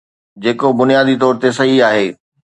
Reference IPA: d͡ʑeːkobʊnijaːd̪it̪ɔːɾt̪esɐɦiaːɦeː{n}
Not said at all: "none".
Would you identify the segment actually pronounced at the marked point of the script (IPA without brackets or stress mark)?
none